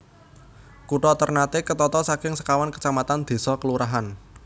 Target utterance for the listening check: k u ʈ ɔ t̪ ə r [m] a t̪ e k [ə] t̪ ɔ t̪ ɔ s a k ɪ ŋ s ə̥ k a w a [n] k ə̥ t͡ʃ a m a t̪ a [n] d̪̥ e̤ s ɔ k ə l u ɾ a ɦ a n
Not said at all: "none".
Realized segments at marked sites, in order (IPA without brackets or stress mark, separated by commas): n, ə, n, n